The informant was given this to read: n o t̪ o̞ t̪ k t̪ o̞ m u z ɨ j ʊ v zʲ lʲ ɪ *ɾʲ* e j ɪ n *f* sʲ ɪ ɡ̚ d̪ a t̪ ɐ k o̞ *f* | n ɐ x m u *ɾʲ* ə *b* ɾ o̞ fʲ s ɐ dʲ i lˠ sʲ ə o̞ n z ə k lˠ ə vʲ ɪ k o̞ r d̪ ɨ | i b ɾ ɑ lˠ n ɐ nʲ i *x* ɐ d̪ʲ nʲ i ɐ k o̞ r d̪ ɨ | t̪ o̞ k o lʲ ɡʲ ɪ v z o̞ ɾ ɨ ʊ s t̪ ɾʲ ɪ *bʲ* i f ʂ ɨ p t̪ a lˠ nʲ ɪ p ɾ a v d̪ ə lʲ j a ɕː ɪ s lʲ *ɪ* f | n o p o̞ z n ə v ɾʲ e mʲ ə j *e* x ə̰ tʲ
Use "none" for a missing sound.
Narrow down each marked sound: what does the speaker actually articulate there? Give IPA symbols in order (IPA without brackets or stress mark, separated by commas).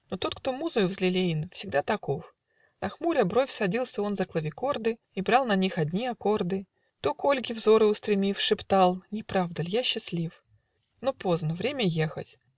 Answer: lʲ, f, f, ɾʲ, b, x, mʲ, i, e